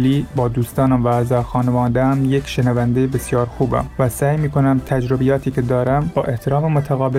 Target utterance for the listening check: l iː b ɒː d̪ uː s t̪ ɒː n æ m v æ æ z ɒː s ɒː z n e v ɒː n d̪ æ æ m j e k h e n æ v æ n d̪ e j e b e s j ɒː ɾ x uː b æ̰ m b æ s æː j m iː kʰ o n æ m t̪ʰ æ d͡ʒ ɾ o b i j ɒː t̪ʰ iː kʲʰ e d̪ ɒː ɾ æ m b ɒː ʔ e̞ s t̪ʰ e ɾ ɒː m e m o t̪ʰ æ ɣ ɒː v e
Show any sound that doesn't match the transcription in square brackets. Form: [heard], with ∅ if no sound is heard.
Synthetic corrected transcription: l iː b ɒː d̪ uː s t̪ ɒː n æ m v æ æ z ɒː [x] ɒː [∅] n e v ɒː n d̪ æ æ m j e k [ʃ] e n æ v æ n d̪ e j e b e s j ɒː ɾ x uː b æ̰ m [v] æ s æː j m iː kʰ o n æ m t̪ʰ æ d͡ʒ ɾ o b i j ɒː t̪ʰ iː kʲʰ e d̪ ɒː ɾ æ m b ɒː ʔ e̞ [h] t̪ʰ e ɾ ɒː m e m o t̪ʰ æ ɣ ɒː [b] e